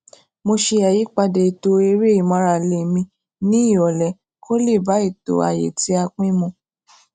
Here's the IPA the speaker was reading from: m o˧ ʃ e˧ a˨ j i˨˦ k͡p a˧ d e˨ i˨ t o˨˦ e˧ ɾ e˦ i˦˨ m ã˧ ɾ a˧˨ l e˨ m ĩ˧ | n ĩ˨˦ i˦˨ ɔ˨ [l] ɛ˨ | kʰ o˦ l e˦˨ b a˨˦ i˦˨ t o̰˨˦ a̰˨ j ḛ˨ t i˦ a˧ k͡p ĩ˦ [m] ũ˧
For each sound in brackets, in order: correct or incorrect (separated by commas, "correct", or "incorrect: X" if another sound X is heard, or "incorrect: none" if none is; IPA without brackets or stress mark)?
correct, correct